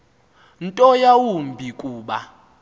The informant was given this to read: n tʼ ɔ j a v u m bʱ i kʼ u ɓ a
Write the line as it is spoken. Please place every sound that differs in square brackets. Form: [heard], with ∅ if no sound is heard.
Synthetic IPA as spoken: n tʼ ɔ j a [w] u m bʱ i kʼ [uː] ɓ a